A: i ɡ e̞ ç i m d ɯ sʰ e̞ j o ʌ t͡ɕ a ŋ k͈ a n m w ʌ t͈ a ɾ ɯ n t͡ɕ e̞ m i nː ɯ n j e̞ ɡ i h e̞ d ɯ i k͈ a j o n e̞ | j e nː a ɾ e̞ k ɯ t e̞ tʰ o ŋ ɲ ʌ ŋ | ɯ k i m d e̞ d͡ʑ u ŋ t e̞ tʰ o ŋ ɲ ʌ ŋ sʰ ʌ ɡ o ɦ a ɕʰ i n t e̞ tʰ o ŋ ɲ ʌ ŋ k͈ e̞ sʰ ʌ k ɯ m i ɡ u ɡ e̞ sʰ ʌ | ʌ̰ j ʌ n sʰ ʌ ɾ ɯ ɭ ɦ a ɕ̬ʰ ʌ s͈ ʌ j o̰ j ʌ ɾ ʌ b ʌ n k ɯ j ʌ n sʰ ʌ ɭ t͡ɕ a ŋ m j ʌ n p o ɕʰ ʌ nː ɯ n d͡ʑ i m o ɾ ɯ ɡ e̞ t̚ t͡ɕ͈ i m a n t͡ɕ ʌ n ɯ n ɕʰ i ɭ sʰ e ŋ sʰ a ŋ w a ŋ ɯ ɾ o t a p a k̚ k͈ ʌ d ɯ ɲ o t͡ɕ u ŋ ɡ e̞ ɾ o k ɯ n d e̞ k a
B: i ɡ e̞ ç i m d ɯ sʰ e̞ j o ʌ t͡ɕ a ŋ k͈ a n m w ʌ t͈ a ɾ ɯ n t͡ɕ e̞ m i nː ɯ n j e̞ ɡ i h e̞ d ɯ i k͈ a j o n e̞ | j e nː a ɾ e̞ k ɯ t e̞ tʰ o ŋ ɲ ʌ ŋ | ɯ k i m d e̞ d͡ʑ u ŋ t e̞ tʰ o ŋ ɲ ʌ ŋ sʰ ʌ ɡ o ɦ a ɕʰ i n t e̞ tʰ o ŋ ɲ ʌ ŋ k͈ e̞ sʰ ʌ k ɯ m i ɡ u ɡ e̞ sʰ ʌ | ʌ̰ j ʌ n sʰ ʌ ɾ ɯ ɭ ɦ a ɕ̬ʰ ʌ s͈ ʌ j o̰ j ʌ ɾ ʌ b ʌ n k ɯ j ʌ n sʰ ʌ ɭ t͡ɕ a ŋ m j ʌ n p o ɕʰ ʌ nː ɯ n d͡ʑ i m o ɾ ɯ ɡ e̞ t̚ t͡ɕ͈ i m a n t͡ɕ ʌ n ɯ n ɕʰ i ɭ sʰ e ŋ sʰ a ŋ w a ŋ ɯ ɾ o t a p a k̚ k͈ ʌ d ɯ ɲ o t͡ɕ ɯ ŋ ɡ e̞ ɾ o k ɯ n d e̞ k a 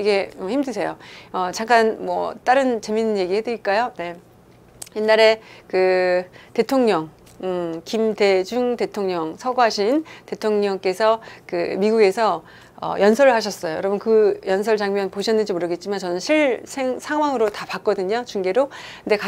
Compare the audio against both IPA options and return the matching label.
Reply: A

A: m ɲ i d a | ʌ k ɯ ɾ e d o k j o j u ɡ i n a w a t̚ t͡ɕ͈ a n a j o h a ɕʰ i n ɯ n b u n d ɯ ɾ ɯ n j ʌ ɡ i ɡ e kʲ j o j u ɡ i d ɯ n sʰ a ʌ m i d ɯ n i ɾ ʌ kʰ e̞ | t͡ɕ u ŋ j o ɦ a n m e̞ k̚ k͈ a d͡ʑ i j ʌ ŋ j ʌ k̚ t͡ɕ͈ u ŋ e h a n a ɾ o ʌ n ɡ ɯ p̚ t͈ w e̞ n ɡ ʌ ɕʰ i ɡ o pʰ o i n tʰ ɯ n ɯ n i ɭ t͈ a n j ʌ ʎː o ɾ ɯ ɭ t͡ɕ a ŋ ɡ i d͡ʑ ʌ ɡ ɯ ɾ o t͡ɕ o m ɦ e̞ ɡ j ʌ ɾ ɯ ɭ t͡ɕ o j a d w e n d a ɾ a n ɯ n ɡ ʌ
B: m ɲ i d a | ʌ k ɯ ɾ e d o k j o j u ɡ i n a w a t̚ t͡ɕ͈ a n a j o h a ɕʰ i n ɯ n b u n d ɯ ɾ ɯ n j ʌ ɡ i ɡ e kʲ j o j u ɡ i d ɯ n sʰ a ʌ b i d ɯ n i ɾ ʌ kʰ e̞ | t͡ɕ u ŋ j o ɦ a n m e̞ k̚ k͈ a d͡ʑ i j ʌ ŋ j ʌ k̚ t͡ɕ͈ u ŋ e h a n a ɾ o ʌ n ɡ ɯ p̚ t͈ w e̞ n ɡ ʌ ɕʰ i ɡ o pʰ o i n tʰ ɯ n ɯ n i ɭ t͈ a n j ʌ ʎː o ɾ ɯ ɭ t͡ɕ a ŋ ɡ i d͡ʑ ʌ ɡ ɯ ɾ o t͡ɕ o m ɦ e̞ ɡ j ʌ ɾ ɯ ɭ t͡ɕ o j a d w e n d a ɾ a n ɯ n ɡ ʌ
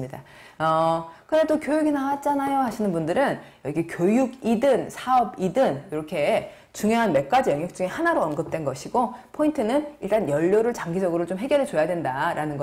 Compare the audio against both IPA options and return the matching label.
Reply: B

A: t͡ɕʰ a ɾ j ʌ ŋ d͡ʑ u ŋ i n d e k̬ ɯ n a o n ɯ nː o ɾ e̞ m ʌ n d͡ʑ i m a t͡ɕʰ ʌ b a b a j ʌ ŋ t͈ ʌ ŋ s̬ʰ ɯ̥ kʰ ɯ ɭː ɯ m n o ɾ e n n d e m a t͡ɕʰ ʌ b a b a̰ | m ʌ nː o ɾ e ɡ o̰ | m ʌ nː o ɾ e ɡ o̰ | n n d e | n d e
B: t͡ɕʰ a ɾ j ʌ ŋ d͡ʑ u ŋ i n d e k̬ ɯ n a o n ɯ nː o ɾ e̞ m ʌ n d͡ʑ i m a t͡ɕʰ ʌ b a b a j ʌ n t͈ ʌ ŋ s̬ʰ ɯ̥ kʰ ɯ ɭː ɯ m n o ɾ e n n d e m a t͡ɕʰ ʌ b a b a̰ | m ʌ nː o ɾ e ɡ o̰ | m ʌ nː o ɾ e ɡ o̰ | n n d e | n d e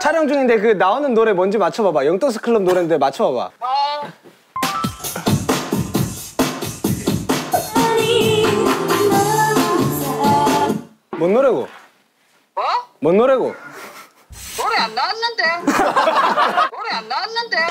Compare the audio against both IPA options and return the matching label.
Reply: A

